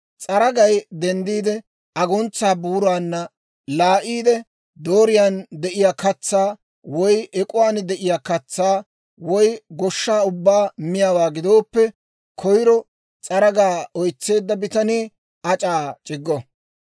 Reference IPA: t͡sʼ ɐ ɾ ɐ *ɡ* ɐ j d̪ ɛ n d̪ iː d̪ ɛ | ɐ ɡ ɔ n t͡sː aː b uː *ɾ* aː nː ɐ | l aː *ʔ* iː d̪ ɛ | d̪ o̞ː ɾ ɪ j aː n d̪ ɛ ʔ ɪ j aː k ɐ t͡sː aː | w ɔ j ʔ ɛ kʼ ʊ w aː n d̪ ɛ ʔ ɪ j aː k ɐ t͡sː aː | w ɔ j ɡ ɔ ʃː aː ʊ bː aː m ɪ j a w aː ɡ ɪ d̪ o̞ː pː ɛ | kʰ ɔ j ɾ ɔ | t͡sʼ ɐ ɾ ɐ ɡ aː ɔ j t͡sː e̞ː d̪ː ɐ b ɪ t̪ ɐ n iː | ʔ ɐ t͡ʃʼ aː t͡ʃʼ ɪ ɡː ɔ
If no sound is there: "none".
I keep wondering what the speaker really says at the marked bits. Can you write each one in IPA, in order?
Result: ɡ, ɾ, ʔ

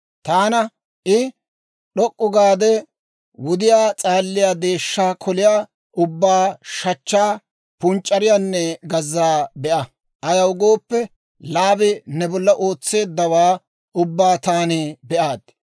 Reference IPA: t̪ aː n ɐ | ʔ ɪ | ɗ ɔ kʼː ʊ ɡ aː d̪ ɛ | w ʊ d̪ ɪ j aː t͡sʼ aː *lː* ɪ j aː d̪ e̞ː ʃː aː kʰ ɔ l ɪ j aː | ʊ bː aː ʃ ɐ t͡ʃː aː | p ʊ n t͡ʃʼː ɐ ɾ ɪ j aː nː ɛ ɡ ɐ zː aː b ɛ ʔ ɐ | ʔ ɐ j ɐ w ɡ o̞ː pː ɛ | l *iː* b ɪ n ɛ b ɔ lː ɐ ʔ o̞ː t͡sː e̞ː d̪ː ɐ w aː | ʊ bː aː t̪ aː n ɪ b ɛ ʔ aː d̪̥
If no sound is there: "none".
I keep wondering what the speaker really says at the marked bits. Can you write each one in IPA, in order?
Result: lː, aː

